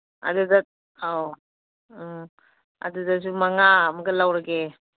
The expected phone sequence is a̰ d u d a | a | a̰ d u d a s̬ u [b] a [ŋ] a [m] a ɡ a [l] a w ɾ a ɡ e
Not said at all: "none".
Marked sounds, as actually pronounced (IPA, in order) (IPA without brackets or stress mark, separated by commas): m, ŋ, m, l